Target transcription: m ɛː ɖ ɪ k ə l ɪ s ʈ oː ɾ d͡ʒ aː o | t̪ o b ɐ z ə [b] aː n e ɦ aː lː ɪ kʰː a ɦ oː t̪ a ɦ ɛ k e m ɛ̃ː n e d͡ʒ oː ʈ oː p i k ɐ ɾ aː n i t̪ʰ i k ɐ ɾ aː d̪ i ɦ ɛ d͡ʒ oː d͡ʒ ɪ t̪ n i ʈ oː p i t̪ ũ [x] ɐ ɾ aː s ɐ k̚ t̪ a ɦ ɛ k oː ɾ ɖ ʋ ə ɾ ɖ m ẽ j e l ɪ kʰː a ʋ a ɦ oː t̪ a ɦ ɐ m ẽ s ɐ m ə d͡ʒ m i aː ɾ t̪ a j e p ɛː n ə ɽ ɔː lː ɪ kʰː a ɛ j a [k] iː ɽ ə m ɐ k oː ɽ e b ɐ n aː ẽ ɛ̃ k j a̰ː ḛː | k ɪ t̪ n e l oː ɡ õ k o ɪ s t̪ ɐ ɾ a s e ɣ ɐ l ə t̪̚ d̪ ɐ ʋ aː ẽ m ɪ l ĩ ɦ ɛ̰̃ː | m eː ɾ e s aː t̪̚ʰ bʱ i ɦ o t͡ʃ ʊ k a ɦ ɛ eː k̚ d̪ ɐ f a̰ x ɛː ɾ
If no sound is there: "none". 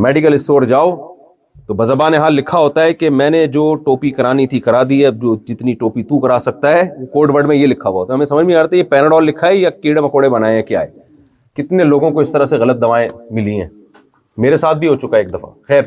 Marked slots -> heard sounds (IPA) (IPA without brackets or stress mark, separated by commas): b, k, k